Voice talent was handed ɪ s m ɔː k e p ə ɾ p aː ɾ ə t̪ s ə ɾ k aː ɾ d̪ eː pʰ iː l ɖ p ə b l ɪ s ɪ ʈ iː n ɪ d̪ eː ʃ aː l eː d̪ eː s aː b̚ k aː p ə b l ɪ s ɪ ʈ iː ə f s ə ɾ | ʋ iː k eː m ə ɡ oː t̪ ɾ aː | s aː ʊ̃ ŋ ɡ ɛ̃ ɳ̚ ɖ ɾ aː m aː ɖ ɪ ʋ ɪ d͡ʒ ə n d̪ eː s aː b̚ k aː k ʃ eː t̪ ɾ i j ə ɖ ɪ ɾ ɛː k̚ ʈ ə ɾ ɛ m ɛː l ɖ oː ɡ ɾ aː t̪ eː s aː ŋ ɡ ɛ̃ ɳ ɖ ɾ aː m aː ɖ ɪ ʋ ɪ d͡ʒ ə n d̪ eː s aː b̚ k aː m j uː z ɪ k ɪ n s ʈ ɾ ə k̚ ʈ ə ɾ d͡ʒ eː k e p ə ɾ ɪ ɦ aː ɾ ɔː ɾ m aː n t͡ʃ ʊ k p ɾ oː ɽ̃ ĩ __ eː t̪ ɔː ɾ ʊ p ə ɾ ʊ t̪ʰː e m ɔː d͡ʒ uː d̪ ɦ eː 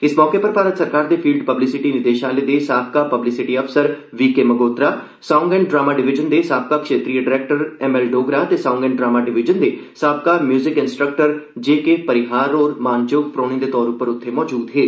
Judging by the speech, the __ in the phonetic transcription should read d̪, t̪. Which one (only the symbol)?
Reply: d̪